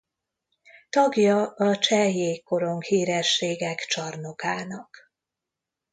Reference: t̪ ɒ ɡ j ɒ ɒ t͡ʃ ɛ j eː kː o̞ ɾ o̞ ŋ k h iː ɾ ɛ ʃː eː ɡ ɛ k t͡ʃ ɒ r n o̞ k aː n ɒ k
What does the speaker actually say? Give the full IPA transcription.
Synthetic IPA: t̪ ɒ ɡ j ɒ ɒ t͡ʃ ɛ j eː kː o̞ ɾ o̞ ŋ k h iː ɾ ɛ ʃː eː ɡ ɛ k t͡ʃ ɒ r n o̞ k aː n ɒ k